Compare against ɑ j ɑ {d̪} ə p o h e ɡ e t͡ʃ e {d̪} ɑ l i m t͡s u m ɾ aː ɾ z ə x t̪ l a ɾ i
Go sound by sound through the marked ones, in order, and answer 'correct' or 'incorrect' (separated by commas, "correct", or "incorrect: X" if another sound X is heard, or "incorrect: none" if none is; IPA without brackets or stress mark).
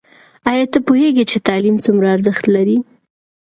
incorrect: t̪, incorrect: t̪